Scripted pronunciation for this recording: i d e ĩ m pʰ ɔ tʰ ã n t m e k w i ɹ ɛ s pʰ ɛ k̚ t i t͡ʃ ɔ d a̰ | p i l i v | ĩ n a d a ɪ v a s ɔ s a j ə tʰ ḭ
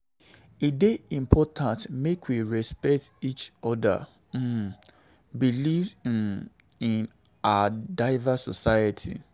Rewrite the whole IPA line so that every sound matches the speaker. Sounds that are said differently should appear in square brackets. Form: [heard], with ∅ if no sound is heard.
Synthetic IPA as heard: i d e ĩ m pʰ ɔ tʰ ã n t m e k w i ɹ ɛ s [p] ɛ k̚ t i t͡ʃ ɔ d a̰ | [b] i l i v | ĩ n a d a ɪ v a s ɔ s a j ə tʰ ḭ